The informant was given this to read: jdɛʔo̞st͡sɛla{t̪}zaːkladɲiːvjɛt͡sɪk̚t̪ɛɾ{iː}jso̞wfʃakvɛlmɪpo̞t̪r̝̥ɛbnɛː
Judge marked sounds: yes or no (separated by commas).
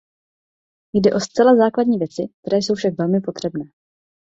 no, no